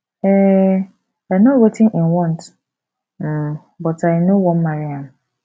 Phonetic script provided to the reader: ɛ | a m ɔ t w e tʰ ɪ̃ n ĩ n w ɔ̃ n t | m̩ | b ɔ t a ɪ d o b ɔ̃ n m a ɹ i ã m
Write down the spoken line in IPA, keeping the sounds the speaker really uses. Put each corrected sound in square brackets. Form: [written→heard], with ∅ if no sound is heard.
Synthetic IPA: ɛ | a [m→n] ɔ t w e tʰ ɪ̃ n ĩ n w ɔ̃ n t | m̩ | b ɔ t a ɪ [d→n] o [b→w] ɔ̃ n m a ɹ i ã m